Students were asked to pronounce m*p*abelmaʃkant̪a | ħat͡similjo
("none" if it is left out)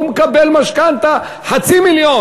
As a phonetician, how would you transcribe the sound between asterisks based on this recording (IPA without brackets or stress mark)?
k